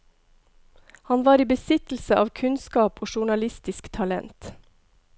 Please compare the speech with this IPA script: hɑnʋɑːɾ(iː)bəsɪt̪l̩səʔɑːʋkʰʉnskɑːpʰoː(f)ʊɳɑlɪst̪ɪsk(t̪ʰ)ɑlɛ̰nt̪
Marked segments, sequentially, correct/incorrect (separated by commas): correct, incorrect, correct